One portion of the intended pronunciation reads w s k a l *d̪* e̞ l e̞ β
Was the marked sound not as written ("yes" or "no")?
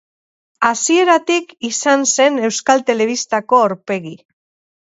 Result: yes